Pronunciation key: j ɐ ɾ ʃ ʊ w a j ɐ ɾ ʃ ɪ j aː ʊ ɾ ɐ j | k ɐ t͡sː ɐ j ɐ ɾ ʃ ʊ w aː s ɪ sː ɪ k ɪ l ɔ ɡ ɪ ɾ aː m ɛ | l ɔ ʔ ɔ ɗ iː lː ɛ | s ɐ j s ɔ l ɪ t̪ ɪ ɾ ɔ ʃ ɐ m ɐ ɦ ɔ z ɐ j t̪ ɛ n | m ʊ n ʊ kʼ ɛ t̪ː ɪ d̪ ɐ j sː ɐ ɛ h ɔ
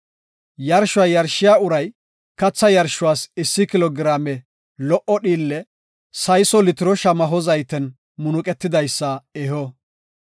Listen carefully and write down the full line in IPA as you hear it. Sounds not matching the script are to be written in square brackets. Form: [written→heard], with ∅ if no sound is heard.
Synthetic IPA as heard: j ɐ ɾ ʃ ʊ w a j ɐ ɾ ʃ ɪ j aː ʊ ɾ ɐ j | k ɐ t͡sː ɐ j ɐ ɾ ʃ ʊ w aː s ɪ sː ɪ k ɪ l ɔ ɡ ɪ ɾ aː m ɛ | l ɔ ʔ ɔ ɗ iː lː ɛ | s ɐ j s ɔ l ɪ t̪ ɪ ɾ ɔ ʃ ɐ m ɐ ɦ ɔ z ɐ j t̪ ɛ n | m ʊ n ʊ kʼ ɛ t̪ː ɪ d̪ ɐ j sː ɐ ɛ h ɔ